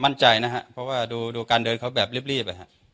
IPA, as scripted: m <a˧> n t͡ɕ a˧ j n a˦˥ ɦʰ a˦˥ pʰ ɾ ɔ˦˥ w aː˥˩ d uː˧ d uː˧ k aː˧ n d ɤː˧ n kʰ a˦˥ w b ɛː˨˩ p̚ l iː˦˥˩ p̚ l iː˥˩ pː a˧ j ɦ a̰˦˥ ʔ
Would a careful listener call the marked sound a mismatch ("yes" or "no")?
yes